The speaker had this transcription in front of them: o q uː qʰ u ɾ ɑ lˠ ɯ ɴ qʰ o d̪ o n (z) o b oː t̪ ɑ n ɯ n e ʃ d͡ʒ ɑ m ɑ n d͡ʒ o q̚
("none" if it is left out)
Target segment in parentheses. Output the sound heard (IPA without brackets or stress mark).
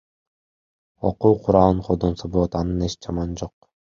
s